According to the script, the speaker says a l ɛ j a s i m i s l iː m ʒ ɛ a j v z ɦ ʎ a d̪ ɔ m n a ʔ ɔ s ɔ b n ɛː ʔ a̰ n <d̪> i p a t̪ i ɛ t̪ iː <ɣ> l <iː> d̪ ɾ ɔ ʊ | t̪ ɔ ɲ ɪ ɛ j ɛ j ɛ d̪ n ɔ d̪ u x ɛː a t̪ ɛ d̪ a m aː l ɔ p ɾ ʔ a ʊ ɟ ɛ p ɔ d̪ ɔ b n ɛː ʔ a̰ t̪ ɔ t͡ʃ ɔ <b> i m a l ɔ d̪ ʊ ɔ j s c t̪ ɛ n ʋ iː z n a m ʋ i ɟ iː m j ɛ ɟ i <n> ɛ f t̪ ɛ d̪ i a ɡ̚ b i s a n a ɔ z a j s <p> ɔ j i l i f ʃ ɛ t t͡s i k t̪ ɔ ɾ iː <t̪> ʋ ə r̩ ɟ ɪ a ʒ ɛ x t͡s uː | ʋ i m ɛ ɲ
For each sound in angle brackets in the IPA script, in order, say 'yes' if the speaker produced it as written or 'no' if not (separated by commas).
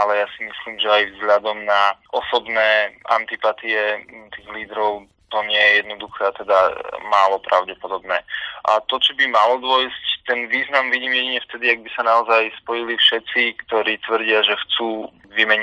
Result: no, yes, yes, yes, no, yes, yes